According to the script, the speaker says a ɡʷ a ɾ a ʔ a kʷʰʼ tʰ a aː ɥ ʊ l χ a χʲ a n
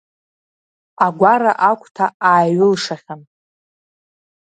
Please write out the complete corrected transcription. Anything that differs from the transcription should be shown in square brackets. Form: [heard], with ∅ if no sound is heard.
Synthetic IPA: a ɡʷ a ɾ a ʔ a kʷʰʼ tʰ a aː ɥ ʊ l [ʂ] a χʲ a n

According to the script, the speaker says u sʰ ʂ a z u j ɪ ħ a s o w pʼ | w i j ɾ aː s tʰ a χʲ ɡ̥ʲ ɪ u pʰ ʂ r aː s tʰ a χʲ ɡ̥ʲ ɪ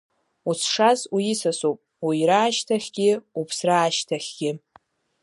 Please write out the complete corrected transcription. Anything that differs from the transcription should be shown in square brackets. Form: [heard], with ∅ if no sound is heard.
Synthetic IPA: u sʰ ʂ a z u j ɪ [s] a s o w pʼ | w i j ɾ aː [ʃ] tʰ a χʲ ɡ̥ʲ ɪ u pʰ [s] r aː [ʃ] tʰ a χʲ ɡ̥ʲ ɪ

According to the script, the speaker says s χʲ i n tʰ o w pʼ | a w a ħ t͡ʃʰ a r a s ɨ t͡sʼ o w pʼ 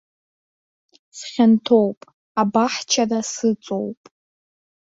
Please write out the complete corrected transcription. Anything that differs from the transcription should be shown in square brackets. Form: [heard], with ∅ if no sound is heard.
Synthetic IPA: s χʲ [a] n tʰ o w pʼ | a [b] a ħ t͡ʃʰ a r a s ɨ t͡sʼ o w pʼ

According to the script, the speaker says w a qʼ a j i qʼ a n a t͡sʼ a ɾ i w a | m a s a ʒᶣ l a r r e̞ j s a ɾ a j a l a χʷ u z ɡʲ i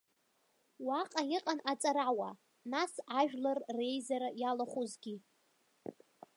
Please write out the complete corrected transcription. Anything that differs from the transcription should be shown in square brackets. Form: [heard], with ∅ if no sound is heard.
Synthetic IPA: w a qʼ a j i qʼ a n a t͡sʼ a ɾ [a] w a | [n] a s a ʒᶣ l a r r e̞ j [z] a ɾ a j a l a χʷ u z ɡʲ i

